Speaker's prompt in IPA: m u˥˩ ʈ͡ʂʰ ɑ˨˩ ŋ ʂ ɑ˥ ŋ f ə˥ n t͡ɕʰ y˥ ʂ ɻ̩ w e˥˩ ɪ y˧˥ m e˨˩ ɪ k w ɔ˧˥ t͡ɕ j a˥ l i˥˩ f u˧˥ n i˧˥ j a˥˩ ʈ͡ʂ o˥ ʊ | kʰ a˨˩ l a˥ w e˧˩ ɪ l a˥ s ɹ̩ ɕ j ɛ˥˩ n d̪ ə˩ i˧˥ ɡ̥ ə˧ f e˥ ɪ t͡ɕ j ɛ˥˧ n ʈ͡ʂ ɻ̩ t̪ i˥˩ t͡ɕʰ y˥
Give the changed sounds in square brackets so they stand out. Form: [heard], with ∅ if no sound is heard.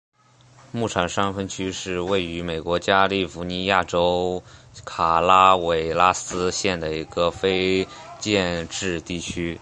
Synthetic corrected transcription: m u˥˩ ʈ͡ʂʰ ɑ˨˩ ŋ ʂ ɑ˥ ŋ f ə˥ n t͡ɕʰ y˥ ʂ ɻ̩ w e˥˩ ɪ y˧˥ m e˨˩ ɪ k w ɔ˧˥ t͡ɕ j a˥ l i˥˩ f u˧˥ n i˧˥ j a˥˩ ʈ͡ʂ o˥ ʊ | kʰ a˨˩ l a˥ w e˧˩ ɪ l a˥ s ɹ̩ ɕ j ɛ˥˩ n d̪ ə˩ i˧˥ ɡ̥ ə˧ f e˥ ɪ t͡ɕ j ɛ˥˧ n ʈ͡ʂ ɻ̩ t̪ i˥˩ t͡ɕʰ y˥